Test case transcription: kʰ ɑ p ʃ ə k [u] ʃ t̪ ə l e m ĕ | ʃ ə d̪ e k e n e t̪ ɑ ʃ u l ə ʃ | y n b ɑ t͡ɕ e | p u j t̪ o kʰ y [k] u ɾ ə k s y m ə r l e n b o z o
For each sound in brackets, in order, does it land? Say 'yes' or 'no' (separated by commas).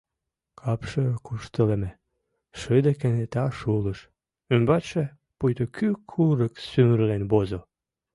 yes, no